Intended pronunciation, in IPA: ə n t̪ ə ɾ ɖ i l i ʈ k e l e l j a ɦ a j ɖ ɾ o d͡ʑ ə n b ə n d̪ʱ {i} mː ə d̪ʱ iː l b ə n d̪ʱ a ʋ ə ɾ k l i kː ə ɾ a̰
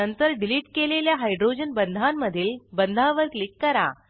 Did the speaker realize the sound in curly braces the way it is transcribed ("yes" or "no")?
no